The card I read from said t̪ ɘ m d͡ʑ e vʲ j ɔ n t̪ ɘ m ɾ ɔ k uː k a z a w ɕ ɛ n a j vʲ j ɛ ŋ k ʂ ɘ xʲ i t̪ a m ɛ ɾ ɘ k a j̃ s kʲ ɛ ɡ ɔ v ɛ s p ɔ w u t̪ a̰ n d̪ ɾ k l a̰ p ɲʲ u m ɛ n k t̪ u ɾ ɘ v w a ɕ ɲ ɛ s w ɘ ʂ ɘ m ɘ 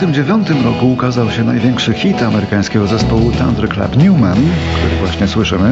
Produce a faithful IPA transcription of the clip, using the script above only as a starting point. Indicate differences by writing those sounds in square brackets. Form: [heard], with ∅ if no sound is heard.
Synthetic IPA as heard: t̪ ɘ m d͡ʑ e vʲ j ɔ n t̪ ɘ m ɾ ɔ k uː k a z a w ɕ ɛ n a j vʲ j ɛ ŋ k ʂ ɘ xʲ i t̪ a m ɛ ɾ ɘ k a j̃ s kʲ ɛ ɡ ɔ [z] ɛ s p ɔ w u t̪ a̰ n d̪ ɾ k l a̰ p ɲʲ u m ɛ n k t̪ u ɾ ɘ v w a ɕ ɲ ɛ s w ɘ ʂ ɘ m ɘ